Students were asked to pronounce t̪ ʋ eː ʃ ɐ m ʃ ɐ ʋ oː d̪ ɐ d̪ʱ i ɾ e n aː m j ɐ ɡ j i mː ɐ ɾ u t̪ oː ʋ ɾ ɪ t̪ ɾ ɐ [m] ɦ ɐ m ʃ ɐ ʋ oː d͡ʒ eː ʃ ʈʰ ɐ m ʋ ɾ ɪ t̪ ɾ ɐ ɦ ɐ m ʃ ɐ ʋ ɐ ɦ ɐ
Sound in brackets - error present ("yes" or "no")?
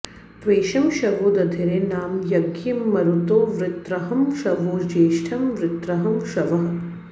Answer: yes